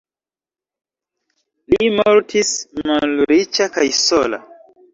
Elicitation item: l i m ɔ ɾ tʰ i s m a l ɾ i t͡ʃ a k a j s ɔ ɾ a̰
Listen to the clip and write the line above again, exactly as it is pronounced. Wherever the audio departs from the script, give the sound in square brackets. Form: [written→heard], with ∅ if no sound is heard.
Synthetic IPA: l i m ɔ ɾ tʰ i s m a l ɾ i t͡ʃ a k a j s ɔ [ɾ→l] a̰